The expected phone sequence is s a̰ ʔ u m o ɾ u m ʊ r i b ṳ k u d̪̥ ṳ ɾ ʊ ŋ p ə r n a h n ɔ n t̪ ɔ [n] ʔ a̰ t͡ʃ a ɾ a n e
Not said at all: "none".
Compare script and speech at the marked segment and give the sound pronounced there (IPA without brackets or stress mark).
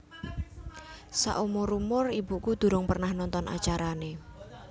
n